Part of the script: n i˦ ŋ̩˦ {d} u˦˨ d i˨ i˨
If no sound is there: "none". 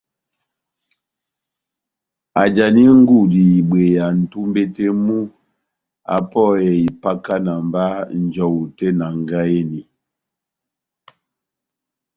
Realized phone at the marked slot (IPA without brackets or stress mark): ɡ